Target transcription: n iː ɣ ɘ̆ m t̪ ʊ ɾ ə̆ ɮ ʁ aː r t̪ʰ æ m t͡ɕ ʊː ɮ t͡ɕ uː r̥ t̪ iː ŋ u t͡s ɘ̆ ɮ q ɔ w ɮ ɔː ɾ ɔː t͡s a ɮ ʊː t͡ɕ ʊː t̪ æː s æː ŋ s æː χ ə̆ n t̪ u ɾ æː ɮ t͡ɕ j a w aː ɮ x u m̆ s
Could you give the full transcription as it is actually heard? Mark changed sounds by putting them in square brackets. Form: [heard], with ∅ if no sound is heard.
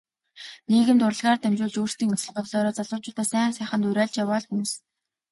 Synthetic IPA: n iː ɣ ɘ̆ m t̪ ʊ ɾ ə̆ ɮ ʁ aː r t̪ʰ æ m t͡ɕ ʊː ɮ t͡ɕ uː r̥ t̪ iː ŋ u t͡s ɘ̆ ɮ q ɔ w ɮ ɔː ɾ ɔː t͡s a ɮ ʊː t͡ɕ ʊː t̪ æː s æː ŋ s æː χ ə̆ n t̪ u ɾ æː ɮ t͡ɕ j a w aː ɮ x u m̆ s